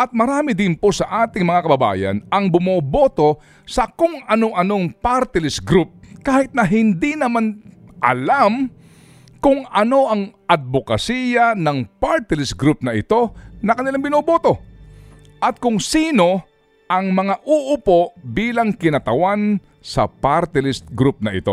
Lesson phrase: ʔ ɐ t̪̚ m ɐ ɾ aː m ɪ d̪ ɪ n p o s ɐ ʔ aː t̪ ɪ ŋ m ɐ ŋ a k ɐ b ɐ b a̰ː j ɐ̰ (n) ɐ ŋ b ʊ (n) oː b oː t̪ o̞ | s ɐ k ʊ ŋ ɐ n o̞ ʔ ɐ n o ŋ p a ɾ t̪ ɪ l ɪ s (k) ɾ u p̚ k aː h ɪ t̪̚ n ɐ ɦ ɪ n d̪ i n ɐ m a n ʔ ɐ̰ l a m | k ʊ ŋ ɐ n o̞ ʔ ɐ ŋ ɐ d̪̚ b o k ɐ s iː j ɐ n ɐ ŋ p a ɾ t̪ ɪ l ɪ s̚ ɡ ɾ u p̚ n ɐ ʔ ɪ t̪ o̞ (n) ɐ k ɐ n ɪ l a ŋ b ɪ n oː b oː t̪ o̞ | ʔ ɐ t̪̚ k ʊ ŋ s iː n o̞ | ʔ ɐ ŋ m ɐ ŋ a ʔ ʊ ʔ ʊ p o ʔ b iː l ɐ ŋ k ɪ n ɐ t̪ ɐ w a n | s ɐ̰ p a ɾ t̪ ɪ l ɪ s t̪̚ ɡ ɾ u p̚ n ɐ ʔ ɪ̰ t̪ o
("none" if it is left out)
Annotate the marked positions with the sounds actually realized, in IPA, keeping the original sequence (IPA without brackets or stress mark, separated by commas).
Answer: n, m, ɡ, n